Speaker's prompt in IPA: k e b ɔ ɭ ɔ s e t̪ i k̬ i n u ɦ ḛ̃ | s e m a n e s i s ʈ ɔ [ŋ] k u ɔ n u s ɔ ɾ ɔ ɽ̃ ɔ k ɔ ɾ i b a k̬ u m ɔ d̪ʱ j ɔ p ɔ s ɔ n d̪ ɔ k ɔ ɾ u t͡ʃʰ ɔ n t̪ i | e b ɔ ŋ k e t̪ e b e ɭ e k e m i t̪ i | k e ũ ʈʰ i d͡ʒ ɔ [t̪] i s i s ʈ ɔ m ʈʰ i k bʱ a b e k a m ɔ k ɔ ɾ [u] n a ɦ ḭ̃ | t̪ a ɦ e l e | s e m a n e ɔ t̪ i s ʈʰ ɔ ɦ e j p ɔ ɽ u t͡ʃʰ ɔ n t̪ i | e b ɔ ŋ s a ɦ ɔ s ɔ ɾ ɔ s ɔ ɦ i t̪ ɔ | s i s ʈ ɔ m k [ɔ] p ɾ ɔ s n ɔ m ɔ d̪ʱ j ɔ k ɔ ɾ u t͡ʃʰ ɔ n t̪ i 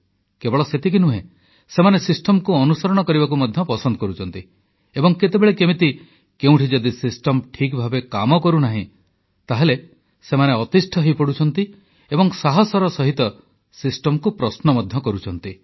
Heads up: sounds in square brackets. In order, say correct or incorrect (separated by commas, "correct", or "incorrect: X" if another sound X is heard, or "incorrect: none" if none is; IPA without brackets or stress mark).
incorrect: m, incorrect: d̪, correct, incorrect: u